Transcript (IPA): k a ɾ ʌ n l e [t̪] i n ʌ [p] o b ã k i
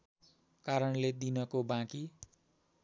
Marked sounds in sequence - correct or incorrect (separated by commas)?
incorrect, incorrect